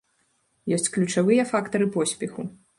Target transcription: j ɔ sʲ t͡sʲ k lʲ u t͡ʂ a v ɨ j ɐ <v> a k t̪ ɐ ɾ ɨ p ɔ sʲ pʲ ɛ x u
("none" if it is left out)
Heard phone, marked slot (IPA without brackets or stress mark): f